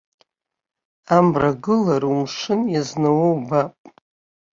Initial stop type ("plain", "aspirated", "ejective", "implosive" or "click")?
plain